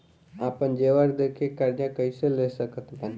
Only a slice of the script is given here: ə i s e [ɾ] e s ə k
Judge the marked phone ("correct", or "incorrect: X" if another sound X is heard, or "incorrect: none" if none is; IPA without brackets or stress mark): incorrect: l